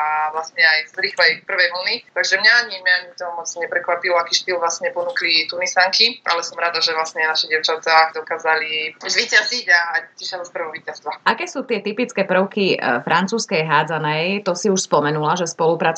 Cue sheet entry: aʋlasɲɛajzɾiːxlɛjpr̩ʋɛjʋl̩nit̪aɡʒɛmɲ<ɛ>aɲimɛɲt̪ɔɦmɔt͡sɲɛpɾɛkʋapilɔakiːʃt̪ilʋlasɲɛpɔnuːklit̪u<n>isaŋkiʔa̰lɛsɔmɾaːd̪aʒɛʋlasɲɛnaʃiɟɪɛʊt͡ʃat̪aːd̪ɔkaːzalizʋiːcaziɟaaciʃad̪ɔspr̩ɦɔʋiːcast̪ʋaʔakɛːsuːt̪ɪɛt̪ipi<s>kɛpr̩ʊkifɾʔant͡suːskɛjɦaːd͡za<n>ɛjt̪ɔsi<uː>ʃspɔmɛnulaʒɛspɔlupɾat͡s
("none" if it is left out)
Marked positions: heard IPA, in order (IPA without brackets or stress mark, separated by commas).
a, n, t͡s, n, u